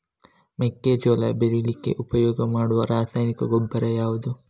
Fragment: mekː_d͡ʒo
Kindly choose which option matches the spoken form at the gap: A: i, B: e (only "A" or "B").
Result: B